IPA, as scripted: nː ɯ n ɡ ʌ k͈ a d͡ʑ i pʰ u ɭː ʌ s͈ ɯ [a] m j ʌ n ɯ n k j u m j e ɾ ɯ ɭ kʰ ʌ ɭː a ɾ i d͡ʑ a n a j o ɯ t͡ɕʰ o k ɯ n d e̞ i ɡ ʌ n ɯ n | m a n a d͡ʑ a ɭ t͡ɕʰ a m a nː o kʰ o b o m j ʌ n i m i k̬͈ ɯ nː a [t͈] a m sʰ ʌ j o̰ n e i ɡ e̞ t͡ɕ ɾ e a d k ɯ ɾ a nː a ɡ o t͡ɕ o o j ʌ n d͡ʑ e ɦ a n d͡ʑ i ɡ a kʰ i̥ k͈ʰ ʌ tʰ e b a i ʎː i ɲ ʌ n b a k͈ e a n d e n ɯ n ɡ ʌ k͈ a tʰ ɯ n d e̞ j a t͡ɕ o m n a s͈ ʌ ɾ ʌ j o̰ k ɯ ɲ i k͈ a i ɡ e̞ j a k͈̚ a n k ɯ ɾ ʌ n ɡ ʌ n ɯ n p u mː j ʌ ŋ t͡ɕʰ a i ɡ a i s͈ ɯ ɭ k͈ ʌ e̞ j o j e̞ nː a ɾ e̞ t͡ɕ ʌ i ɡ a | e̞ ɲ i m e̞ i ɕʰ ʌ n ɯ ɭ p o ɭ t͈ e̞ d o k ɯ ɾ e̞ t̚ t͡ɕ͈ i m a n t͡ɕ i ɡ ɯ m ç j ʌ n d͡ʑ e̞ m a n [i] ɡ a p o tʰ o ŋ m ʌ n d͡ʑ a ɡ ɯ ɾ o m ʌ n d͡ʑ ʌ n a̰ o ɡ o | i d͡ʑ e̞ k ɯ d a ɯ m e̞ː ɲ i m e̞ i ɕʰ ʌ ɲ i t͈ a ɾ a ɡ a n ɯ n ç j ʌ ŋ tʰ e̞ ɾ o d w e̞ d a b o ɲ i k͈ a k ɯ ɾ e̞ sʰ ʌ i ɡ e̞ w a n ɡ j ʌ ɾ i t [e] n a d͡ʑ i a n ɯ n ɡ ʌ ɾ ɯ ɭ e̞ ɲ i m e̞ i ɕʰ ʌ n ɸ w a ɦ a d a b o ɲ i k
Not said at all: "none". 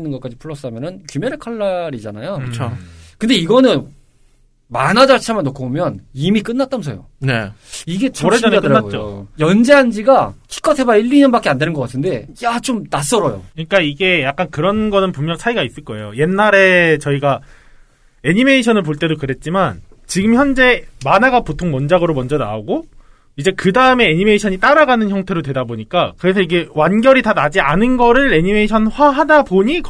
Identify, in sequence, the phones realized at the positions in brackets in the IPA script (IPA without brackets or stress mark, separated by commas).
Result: a, t͈, a, a